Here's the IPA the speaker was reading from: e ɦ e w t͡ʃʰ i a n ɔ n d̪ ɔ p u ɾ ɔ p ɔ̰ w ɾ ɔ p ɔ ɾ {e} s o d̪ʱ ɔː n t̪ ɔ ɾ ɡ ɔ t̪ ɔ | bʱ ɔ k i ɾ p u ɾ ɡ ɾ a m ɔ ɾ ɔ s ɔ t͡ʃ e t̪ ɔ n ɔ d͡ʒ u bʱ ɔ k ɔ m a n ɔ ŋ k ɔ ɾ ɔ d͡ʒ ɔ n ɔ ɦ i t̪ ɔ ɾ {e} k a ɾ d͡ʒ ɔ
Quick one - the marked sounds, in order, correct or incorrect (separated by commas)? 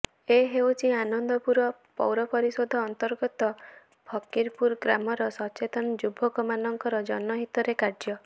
incorrect, correct